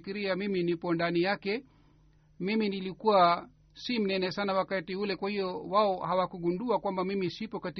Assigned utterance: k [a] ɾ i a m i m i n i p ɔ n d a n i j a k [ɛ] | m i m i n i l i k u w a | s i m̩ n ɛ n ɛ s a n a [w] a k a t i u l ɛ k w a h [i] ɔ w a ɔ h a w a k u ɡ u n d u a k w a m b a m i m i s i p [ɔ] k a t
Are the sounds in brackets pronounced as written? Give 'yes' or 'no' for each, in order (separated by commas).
no, yes, yes, yes, yes